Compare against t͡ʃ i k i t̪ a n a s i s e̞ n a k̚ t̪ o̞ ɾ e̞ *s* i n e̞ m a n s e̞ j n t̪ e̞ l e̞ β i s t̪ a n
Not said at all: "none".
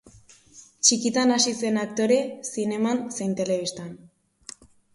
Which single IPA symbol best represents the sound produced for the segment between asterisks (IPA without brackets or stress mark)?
s